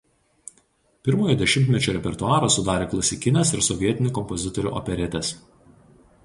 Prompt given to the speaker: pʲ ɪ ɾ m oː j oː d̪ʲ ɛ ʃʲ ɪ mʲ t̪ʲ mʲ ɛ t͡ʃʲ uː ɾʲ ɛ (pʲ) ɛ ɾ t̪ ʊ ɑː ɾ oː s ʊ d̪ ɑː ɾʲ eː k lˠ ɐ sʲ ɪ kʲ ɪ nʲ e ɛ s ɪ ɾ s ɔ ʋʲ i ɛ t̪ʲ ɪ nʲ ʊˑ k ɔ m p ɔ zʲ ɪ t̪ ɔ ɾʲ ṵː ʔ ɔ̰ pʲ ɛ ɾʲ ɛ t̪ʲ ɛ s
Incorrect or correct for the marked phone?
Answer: correct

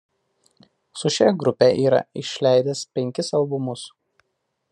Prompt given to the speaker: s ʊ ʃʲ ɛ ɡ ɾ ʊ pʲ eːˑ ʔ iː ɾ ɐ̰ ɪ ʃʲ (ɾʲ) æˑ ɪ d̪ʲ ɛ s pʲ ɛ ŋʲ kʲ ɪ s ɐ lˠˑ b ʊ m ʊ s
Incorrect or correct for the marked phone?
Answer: incorrect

